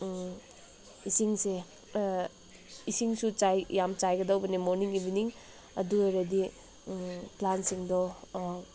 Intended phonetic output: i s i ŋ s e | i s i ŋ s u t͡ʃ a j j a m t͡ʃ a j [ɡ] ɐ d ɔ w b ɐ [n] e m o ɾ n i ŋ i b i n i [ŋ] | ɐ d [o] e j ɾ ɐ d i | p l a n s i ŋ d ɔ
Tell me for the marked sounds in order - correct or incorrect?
correct, correct, correct, incorrect: u

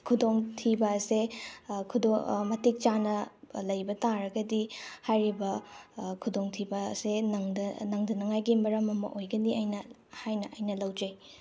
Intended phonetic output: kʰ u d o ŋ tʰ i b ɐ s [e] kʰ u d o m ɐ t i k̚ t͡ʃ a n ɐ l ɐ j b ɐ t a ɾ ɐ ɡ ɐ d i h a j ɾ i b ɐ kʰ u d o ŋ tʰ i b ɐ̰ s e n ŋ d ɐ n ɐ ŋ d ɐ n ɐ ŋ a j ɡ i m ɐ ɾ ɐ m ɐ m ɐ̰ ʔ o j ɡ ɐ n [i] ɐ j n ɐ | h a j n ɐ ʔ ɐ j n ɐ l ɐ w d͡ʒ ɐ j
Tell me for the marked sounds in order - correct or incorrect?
correct, correct

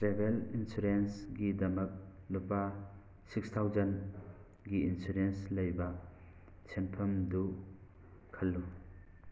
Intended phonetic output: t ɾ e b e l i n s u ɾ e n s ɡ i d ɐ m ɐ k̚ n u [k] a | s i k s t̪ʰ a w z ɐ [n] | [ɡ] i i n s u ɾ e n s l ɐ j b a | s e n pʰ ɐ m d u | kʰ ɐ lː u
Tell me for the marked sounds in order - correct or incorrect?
incorrect: p, correct, correct

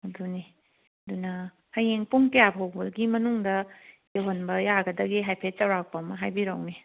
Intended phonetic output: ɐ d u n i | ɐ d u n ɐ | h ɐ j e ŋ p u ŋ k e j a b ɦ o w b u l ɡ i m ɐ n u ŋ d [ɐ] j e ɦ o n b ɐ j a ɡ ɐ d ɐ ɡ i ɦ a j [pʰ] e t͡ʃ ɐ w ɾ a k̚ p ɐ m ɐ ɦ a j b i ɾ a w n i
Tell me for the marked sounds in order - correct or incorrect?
correct, correct

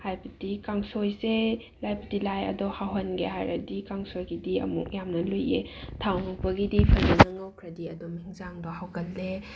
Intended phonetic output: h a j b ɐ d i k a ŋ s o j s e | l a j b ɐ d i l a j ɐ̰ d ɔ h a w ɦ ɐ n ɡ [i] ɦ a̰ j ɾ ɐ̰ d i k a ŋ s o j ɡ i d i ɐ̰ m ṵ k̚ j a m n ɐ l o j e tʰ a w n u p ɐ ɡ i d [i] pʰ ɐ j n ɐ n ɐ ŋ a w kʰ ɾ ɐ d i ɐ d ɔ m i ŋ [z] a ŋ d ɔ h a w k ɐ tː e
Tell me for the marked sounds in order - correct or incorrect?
incorrect: e, correct, correct

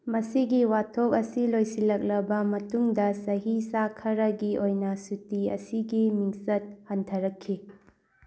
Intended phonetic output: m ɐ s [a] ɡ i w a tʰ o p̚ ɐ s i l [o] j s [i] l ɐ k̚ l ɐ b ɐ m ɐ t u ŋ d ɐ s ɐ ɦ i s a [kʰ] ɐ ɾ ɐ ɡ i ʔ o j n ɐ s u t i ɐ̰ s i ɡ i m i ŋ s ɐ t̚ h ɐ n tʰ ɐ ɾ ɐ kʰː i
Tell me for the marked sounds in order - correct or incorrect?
incorrect: i, correct, correct, correct

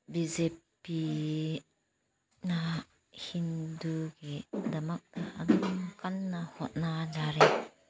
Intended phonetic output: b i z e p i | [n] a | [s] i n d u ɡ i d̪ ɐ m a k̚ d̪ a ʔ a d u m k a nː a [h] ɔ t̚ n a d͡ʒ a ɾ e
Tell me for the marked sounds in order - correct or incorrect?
correct, incorrect: h, correct

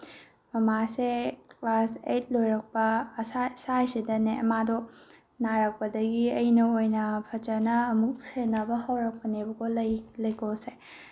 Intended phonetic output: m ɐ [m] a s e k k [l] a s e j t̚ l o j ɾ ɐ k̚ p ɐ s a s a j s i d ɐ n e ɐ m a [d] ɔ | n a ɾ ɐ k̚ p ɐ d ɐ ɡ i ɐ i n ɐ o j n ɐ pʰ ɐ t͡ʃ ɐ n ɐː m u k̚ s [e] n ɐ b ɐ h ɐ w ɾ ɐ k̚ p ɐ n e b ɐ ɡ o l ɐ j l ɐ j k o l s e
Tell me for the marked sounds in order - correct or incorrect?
correct, correct, correct, correct

